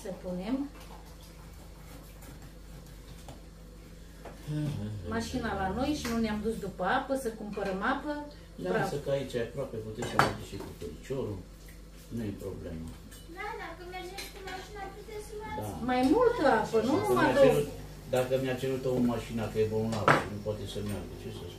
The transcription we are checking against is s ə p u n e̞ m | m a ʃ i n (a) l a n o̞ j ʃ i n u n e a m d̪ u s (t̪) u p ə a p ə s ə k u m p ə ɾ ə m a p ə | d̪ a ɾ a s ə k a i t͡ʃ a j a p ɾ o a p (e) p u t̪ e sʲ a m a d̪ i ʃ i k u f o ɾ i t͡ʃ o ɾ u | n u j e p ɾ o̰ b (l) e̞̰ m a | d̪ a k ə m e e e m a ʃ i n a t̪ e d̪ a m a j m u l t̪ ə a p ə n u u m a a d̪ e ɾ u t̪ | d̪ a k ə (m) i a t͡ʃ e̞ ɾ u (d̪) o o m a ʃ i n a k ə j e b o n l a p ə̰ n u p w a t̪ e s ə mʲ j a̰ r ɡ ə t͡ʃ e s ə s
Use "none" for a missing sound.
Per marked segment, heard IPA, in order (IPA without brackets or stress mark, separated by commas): a, d̪, e, l, m, t̪